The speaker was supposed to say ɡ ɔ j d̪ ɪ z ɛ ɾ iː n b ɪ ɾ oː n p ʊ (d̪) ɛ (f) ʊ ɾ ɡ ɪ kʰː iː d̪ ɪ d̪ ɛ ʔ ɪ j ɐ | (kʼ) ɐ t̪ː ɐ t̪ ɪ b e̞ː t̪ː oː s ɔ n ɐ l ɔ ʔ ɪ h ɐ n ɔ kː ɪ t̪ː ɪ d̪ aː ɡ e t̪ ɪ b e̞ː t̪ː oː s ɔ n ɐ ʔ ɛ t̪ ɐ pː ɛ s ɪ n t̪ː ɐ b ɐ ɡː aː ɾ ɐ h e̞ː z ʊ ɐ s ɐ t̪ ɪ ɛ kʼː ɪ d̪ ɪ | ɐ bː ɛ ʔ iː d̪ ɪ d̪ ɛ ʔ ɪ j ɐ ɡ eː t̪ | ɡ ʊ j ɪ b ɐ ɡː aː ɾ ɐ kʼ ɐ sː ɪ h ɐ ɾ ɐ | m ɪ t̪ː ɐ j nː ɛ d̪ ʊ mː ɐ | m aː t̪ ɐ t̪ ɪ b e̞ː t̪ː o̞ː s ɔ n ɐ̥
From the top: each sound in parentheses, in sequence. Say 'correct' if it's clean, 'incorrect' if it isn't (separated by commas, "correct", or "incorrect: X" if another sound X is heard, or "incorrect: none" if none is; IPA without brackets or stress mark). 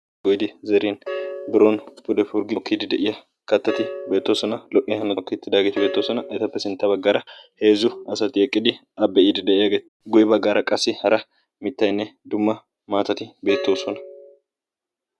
correct, correct, incorrect: k